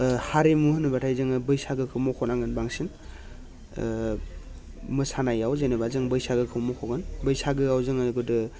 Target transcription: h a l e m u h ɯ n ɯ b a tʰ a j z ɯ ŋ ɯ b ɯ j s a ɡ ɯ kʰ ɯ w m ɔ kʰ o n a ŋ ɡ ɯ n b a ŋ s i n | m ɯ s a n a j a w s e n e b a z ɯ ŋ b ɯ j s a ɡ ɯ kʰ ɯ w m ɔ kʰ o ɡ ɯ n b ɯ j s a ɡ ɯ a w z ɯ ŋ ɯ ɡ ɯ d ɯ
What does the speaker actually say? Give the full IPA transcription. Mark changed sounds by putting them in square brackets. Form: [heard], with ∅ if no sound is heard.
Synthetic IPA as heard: h a [ɾ] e m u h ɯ n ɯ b a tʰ a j z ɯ ŋ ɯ b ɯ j s a ɡ ɯ kʰ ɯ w m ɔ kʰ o n a ŋ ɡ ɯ n b a ŋ s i n | m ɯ s a n a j a w [z] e n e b a z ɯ ŋ b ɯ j s a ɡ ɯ kʰ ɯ w m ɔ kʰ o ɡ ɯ n b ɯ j s a ɡ ɯ a w z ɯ ŋ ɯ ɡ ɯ d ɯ